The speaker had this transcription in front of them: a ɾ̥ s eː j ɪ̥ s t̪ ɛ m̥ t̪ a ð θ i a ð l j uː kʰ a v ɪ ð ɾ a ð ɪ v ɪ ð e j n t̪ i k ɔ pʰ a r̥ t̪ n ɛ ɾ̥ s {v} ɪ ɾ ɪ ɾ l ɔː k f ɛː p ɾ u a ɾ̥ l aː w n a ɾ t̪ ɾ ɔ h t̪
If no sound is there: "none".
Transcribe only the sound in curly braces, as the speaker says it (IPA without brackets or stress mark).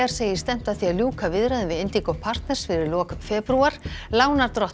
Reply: f